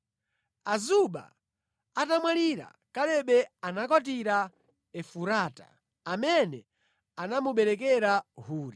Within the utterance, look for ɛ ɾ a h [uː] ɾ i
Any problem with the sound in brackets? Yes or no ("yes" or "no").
no